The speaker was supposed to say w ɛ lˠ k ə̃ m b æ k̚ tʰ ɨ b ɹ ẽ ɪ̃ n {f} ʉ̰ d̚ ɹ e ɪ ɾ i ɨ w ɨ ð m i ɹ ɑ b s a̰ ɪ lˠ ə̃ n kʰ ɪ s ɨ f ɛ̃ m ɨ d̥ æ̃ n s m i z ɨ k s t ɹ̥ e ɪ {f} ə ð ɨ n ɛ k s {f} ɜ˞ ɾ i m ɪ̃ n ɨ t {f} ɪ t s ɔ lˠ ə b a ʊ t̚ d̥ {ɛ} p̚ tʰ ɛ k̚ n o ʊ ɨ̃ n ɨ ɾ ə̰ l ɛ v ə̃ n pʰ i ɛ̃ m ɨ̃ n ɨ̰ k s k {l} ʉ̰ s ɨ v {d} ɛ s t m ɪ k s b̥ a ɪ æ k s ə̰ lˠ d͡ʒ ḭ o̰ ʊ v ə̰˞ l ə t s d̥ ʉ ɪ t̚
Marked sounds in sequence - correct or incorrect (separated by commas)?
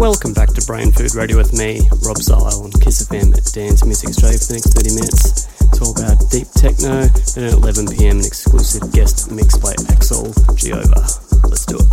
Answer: correct, correct, incorrect, incorrect, incorrect, correct, incorrect